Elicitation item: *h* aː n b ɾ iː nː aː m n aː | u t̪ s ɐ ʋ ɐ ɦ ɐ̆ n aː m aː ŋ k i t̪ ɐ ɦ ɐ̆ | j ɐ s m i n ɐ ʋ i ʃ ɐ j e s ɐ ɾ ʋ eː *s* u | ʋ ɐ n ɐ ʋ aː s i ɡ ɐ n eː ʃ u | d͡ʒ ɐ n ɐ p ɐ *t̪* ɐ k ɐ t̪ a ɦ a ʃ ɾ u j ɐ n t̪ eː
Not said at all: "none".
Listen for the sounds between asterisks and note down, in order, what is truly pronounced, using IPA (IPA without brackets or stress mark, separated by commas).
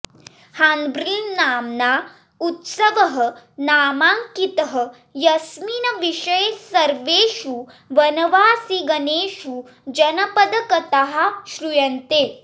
h, ʃ, d̪